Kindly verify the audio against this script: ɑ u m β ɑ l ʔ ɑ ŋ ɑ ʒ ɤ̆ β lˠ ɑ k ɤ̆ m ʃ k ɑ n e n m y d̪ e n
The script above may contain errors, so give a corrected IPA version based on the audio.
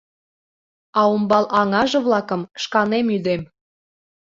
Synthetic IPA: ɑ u m b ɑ l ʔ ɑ ŋ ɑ ʒ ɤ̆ β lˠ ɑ k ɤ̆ m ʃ k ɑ n e m y d̪ e m